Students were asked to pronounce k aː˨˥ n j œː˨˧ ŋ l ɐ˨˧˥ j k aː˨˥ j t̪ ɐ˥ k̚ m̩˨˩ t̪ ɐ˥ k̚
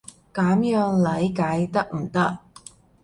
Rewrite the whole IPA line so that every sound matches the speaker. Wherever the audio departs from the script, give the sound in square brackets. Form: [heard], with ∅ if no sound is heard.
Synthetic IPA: k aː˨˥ [m] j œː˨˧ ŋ l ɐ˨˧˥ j k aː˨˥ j t̪ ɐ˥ k̚ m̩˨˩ t̪ ɐ˥ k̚